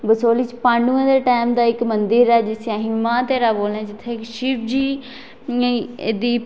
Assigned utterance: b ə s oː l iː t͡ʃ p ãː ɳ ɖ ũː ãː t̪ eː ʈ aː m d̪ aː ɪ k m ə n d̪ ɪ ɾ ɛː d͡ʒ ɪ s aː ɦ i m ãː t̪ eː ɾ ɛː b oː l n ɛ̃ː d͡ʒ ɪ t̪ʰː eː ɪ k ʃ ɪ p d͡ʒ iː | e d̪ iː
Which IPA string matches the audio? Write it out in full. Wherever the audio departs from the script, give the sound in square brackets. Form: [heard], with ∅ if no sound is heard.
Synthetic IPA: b ə s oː l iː t͡ʃ p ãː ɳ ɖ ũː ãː [d̪] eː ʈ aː m d̪ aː ɪ k m ə n d̪ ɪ ɾ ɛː d͡ʒ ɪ s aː ɦ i m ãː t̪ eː ɾ [aː] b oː l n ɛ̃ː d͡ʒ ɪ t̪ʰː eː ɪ k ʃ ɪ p d͡ʒ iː | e d̪ iː